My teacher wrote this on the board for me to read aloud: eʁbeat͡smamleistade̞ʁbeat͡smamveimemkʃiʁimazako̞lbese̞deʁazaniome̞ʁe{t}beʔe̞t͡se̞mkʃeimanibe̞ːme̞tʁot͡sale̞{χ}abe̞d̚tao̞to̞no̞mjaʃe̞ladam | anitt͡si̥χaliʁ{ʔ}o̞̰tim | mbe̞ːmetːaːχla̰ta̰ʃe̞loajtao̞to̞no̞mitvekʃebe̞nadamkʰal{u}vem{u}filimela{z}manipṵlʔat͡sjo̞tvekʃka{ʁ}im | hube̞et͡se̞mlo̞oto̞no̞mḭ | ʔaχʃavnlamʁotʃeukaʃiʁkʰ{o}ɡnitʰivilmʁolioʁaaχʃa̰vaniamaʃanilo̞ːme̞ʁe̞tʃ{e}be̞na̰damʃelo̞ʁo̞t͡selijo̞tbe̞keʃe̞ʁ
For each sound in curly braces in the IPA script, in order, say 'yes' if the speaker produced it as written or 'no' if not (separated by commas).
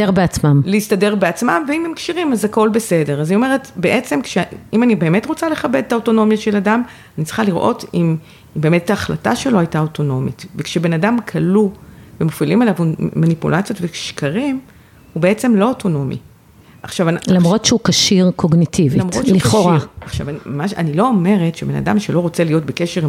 yes, yes, yes, yes, no, no, yes, yes, yes